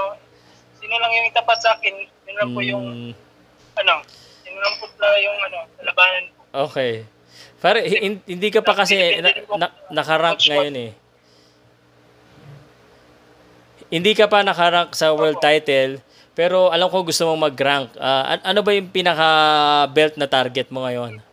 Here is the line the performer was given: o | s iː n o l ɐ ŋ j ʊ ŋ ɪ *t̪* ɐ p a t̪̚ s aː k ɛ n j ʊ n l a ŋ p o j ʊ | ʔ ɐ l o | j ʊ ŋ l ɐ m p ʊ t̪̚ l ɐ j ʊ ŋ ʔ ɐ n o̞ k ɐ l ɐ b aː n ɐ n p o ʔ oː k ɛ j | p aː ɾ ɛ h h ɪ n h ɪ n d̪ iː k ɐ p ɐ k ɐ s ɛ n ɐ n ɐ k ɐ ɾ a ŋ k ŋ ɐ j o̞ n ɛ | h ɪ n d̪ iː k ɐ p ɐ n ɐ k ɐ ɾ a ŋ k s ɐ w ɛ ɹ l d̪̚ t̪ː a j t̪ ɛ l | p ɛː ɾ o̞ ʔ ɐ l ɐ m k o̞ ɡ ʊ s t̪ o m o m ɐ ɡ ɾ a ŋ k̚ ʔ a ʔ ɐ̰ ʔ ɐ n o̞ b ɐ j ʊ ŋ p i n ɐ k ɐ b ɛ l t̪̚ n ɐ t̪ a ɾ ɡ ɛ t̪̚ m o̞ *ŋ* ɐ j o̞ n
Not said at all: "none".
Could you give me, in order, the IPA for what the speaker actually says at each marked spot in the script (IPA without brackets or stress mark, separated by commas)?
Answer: t̪, ŋ